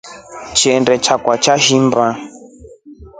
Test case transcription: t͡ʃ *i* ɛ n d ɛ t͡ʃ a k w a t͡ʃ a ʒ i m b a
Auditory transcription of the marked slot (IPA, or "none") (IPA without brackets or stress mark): i